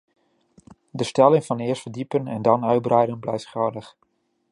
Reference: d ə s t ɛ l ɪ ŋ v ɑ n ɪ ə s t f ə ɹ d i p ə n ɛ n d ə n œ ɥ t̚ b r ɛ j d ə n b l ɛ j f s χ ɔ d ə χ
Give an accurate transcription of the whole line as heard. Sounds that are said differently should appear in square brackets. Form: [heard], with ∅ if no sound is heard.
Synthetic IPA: d ə s t ɛ l ɪ ŋ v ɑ n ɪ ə s t f ə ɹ d i p ə n ɛ n d [ɑ] n œ ɥ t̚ b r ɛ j d ə n b l ɛ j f [t] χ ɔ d ə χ